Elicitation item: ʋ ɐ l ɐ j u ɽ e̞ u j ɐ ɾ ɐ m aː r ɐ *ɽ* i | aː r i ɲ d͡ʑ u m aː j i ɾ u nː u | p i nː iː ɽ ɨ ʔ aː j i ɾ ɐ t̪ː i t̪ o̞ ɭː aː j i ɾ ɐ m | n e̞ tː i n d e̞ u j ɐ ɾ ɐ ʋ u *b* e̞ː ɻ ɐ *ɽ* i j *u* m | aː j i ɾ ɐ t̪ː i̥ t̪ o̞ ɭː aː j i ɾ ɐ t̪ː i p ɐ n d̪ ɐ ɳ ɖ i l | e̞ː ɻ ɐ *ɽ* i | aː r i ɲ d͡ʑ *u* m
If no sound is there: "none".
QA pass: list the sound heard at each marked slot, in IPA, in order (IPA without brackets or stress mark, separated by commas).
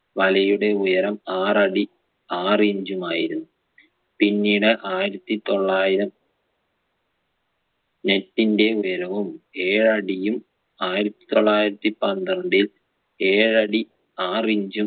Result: ɽ, m, ɽ, u, ɽ, u